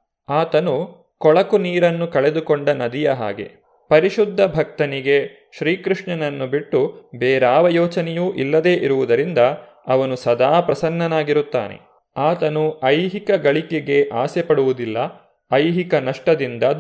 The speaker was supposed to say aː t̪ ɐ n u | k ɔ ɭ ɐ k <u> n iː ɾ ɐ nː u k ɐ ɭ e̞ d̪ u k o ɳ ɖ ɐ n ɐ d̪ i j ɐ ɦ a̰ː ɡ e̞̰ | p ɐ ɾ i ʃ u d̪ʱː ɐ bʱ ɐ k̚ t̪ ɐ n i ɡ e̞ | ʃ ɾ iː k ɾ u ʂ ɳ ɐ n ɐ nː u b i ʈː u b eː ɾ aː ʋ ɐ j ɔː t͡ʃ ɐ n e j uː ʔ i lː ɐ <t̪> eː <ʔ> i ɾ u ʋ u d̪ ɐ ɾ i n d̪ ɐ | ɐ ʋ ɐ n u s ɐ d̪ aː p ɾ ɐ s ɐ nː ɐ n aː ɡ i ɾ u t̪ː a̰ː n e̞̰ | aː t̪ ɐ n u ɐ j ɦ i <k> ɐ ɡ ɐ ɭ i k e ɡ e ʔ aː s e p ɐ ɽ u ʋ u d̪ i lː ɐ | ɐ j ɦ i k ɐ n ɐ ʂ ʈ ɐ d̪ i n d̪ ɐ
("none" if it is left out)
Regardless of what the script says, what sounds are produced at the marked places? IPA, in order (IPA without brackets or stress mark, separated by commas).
u, d̪, ʔ, k